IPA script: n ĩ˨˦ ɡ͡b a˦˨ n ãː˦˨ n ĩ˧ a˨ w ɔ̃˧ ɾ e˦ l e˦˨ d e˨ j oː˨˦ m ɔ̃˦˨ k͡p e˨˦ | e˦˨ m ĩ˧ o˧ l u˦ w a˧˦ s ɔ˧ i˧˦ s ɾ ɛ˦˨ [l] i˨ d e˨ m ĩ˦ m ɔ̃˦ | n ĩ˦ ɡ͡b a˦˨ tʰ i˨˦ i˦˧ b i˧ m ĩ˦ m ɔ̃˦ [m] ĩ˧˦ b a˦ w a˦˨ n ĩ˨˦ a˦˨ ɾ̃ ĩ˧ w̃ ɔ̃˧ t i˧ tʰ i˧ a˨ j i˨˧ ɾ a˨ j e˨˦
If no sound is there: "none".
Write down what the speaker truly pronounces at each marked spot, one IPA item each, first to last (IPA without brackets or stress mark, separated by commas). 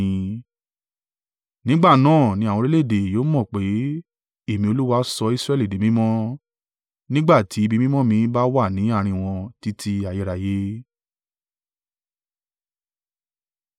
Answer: l, m